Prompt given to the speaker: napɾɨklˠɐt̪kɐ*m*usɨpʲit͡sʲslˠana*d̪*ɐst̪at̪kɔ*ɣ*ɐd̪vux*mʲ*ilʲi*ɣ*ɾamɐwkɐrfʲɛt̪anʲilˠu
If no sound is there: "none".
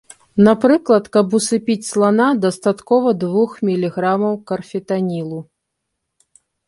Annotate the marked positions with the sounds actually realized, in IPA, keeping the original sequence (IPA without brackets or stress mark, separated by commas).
b, d̪, v, mʲ, ɣ